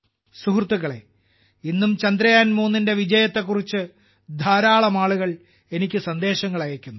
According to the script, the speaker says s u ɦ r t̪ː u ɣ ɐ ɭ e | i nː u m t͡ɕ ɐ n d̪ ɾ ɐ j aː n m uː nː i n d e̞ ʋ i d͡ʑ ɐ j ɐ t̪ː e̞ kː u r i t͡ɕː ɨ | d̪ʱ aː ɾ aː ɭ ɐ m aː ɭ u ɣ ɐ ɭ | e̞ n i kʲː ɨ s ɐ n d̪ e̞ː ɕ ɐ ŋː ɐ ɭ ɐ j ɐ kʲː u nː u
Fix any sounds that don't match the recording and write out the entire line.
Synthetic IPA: s u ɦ r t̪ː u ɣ ɐ ɭ e | i nː u m t͡ɕ ɐ n d̪ ɾ ɐ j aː n m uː nː i n d e̞ ʋ i d͡ʑ ɐ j ɐ t̪ː e̞ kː u r i t͡ɕː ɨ | d̪ʱ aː ɾ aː ɭ ɐ m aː ɭ u ɣ ɐ ɭ | e̞ n i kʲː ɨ s ɐ n d̪ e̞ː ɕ ɐ ŋː ɐ ɭ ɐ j ɐ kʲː u nː u